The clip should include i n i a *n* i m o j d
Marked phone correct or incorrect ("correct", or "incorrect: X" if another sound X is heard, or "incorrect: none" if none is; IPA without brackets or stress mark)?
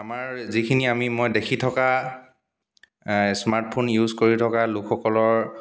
incorrect: m